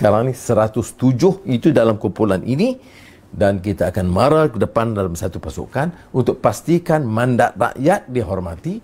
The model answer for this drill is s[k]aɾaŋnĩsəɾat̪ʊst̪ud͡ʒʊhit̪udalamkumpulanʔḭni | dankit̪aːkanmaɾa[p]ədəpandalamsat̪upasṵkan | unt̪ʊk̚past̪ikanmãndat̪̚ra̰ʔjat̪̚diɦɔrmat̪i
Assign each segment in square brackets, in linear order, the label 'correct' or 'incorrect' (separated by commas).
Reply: correct, incorrect